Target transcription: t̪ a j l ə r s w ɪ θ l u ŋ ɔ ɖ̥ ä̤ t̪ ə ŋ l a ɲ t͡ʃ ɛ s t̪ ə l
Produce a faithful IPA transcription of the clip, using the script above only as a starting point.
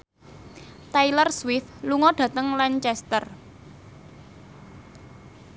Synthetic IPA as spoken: t̪ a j l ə r s w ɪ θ l u ŋ ɔ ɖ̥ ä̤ t̪ ə ŋ l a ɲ t͡ʃ ɛ s t̪ ə r